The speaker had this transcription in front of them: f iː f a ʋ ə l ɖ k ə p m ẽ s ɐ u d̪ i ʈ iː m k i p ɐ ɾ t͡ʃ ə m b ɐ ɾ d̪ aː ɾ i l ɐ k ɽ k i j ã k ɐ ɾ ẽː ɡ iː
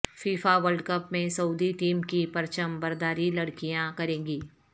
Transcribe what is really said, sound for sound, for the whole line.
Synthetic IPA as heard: f iː f a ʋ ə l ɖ k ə p m ẽ s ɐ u d̪ i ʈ iː m k i p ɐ ɾ t͡ʃ ə m b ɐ ɾ d̪ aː ɾ i l ɐ ɽ k i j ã k ɐ ɾ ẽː ɡ iː